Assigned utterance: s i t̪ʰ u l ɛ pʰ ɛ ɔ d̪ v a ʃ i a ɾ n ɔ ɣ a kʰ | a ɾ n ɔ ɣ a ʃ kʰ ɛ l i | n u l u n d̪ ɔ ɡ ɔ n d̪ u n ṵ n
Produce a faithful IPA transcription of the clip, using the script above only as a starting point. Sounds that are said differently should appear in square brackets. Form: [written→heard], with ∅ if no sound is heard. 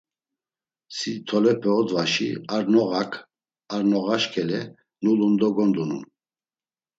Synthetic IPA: s i t̪ʰ [u→ɔ] l ɛ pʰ ɛ ɔ d̪ v a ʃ i a ɾ n ɔ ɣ a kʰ | a ɾ n ɔ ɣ a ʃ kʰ ɛ l [i→ɛ] | n u l u n d̪ ɔ ɡ ɔ n d̪ u n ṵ n